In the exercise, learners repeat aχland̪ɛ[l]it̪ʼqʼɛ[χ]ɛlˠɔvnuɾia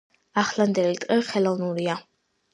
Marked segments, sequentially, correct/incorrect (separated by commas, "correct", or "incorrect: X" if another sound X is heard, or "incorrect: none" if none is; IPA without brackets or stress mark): correct, correct